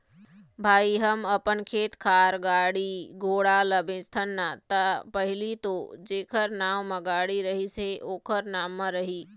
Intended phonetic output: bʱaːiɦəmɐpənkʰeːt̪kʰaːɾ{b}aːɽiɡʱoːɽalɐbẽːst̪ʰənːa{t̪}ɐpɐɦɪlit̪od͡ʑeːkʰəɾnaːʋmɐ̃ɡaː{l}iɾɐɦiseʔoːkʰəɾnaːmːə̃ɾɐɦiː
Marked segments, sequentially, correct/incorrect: incorrect: ɡ, correct, incorrect: ɽ

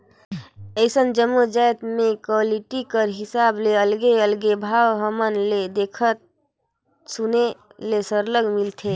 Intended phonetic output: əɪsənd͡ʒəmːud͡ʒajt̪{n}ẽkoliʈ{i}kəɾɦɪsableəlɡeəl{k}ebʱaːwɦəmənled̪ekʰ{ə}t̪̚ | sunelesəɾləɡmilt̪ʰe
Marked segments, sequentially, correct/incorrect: incorrect: m, correct, incorrect: ɡ, correct

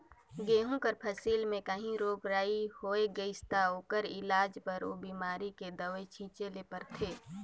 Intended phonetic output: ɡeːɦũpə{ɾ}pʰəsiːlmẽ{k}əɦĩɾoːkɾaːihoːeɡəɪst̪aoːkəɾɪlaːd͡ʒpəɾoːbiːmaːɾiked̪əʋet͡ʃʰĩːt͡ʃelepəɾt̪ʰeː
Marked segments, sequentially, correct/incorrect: correct, correct

